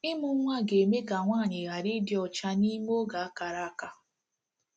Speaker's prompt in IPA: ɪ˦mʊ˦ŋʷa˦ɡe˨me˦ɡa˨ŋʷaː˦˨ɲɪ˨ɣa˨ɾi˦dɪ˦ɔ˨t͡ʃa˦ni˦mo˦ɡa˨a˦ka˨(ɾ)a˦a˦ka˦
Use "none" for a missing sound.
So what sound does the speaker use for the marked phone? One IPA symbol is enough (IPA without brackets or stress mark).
ɾ